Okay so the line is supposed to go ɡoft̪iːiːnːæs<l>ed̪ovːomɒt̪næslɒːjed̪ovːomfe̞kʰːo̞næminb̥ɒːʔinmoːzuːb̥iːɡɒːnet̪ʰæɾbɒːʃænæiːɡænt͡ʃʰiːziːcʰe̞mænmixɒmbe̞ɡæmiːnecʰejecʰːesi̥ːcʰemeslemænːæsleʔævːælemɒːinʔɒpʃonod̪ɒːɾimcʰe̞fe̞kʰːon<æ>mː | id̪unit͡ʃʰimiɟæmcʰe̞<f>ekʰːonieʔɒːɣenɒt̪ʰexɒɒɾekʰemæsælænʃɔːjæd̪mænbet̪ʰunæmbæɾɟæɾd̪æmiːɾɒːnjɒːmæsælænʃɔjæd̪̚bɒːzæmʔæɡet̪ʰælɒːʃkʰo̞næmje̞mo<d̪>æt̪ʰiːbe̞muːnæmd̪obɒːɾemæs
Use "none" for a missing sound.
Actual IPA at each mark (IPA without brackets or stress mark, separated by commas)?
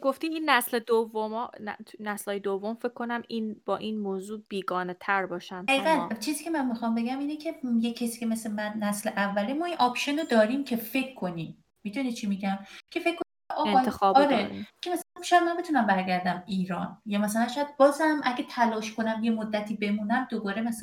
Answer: l, i, f, d̪ː